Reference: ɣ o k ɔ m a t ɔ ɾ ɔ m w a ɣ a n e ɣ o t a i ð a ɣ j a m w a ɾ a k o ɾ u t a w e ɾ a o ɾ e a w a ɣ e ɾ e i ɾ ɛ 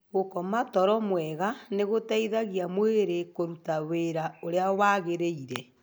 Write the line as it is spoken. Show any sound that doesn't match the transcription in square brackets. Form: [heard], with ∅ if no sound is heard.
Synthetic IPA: ɣ o k ɔ m a t ɔ ɾ ɔ m w [ɛ] ɣ a n e ɣ o t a i ð a ɣ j a m w [e] ɾ [e] k o ɾ u t a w e ɾ a o ɾ e a w a ɣ e ɾ e i ɾ ɛ

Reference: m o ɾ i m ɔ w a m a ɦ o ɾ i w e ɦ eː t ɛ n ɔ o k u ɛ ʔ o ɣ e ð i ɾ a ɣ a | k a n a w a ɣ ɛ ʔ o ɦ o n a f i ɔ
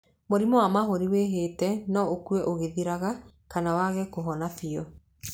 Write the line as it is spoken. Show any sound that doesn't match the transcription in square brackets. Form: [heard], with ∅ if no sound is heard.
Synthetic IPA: m o ɾ i m ɔ w a m a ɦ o ɾ i w e ɦ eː t ɛ n ɔ o k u ɛ ʔ o ɣ e ð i ɾ a ɣ a | k a n a w a ɣ ɛ [k] o ɦ [ɔ] n a f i ɔ

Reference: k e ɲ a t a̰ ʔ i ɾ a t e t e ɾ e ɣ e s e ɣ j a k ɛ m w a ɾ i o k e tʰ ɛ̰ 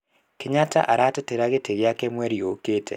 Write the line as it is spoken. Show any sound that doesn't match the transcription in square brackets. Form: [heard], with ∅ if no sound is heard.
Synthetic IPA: k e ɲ a t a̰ ʔ [a] ɾ a t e t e ɾ [a] ɣ e [t] e ɣ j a k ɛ m w [ɛ] ɾ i o k e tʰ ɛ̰

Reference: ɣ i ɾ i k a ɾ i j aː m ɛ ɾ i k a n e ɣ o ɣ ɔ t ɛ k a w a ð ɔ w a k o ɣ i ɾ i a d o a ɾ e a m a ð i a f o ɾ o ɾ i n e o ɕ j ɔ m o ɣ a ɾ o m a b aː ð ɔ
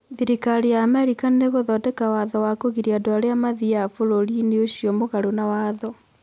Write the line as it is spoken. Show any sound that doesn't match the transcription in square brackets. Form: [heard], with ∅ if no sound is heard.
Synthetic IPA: [ð] i ɾ i k a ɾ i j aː m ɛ ɾ i k a n e ɣ o [ð] ɔ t ɛ k a w a ð ɔ w a k o ɣ i ɾ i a d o a ɾ e a m a ð i a f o ɾ o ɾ i n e o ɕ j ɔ m o ɣ a ɾ o [n] a [w] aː ð ɔ

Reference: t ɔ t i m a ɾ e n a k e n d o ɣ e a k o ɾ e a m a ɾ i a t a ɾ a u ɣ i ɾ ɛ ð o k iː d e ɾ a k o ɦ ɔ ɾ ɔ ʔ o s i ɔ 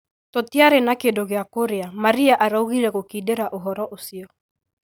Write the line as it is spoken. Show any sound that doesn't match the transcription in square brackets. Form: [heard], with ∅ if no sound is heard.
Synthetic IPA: t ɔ t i [∅] a ɾ e n a k e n d o ɣ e a k o ɾ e a m a ɾ i a [ʔ] a ɾ a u ɣ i ɾ ɛ [ɣ] o k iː d e ɾ a [ʔ] o ɦ ɔ ɾ ɔ ʔ o s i ɔ

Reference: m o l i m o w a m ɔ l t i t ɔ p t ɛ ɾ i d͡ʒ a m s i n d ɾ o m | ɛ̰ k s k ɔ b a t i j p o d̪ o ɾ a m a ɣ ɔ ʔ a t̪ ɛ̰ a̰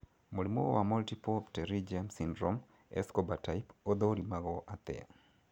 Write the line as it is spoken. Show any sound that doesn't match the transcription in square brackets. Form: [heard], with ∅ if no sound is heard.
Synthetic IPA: m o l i m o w a m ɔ l t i [p] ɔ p t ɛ ɾ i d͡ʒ a m s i n d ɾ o m | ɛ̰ [∅] s k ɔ b a t [a] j p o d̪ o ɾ [i] m a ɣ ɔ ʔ a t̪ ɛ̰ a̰

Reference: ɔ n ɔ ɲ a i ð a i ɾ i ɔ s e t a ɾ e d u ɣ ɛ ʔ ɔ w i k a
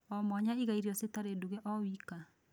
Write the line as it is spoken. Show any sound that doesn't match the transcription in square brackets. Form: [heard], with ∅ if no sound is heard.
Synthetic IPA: ɔ [m] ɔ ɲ a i [ɣ] a i ɾ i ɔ s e t a ɾ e d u ɣ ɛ ʔ ɔ w i k a

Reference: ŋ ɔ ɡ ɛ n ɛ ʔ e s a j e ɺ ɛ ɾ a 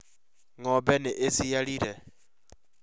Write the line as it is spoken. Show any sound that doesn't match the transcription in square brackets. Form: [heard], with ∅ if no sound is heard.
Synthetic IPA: ŋ ɔ [b] ɛ n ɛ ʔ e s [i] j [a] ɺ [i] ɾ [ɛ]

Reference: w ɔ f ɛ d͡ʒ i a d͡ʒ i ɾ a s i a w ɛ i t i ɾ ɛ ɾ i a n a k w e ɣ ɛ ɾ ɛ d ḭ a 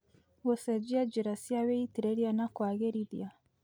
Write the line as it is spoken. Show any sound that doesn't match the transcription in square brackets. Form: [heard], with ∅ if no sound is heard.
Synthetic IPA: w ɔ [s] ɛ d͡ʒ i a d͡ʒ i ɾ a s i a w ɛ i t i ɾ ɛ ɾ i a n a k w [a] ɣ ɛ ɾ [i] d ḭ a

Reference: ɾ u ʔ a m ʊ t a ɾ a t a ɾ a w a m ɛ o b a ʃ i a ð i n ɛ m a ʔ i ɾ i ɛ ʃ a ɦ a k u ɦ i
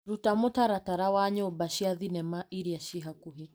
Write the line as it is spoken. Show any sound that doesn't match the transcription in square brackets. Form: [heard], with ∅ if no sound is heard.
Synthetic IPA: ɾ u [t] a m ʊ t a ɾ a t a ɾ a w a [ɲ] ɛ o b a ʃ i a ð i n ɛ m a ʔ i ɾ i [a] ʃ [i] ɦ a k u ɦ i

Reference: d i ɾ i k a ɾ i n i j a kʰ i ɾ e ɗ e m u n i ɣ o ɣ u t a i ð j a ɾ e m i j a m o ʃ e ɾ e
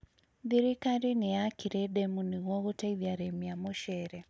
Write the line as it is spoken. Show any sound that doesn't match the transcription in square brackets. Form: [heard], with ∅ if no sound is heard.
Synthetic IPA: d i ɾ i k a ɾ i n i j a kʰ i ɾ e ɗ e m u n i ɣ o ɣ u t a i ð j a ɾ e m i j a m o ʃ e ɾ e

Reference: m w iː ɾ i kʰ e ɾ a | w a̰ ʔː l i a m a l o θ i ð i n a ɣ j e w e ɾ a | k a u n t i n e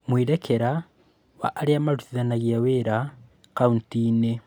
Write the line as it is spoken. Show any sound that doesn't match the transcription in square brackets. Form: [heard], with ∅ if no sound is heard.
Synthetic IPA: m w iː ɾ [e] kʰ e ɾ a | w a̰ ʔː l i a m a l [u] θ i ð [a] n a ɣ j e w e ɾ a | k a u n t i n e

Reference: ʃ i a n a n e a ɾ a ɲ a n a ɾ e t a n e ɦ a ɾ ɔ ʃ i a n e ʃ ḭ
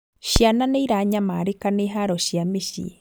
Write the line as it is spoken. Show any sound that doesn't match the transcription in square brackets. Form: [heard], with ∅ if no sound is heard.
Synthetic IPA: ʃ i a n a n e [i] ɾ a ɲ a [m] a ɾ e [k] a n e ɦ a ɾ ɔ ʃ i a [m] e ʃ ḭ

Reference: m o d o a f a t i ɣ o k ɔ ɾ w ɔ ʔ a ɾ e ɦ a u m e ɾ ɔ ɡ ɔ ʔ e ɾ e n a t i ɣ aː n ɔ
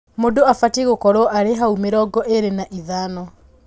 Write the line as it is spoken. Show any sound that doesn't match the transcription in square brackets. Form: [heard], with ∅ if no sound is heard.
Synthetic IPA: m o d o a f a t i ɣ o k ɔ ɾ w ɔ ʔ a ɾ e ɦ a u m e ɾ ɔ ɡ ɔ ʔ e ɾ e n a [ʔ] i [ð] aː n ɔ

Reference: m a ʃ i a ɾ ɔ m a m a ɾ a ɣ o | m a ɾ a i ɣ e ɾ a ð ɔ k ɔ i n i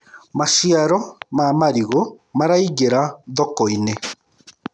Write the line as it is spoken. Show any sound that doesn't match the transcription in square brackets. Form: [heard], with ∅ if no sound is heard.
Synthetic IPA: m a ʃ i a ɾ ɔ m a m a ɾ [i] ɣ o | m a ɾ a i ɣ e ɾ a ð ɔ k ɔ i n [e]

